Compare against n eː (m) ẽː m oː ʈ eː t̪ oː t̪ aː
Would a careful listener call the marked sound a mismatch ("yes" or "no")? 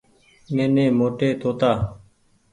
yes